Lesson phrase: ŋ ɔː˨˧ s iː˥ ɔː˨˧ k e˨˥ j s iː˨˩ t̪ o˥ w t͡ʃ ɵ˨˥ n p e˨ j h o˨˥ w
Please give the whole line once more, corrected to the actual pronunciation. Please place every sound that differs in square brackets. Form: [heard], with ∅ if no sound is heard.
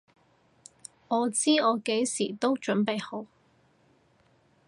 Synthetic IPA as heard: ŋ ɔː˨˧ [t͡s] iː˥ ɔː˨˧ k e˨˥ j s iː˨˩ t̪ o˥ w t͡ʃ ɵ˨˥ n p e˨ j h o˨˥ w